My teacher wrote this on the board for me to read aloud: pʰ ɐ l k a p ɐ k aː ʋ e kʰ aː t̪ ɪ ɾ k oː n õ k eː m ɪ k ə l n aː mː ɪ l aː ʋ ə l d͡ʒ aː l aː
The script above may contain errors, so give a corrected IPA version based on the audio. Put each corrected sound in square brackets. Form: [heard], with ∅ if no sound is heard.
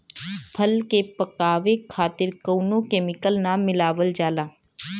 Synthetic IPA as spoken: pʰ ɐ l k [e] p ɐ k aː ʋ e kʰ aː t̪ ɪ ɾ k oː n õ k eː m ɪ k ə l n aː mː ɪ l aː ʋ ə l d͡ʒ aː l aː